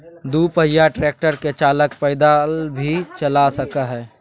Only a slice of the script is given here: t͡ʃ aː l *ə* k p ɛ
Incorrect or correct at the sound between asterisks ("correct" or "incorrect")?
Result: correct